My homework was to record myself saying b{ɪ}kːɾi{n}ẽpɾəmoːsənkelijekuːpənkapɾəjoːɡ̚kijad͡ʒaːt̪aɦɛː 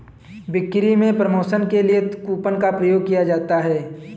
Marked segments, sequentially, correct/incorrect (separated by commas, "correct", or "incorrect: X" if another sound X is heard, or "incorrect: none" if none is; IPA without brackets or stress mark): correct, incorrect: m